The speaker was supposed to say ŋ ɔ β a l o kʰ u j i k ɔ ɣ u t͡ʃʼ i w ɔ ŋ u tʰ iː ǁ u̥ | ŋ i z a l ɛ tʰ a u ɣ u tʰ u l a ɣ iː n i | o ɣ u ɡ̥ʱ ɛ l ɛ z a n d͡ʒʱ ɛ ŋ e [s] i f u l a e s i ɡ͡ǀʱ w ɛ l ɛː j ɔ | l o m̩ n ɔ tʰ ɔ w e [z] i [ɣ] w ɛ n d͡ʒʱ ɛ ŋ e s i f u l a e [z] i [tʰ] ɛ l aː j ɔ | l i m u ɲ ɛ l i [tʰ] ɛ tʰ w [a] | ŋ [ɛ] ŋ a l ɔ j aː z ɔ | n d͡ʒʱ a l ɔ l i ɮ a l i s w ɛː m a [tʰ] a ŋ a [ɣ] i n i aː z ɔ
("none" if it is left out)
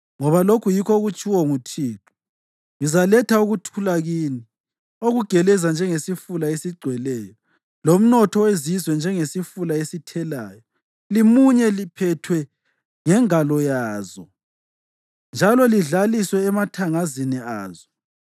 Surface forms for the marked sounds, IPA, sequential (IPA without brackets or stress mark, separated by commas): s, z, z, s, tʰ, pʰ, ɛ, ɛ, tʰ, z